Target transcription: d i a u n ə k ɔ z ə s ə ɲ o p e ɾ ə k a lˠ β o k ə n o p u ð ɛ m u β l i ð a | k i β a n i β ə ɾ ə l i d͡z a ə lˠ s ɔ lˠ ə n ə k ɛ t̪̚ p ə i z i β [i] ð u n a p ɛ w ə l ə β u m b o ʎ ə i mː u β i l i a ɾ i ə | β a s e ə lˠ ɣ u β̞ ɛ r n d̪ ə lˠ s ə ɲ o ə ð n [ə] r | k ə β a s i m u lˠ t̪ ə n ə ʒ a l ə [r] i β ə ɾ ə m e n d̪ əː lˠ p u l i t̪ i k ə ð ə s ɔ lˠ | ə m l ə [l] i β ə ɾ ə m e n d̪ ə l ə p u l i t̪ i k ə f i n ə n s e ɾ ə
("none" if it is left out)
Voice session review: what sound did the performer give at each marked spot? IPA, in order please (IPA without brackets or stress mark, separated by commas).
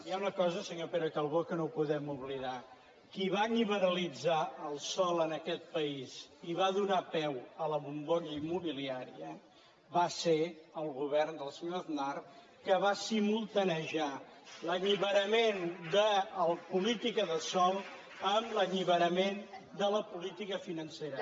a, a, ʎ, ʎ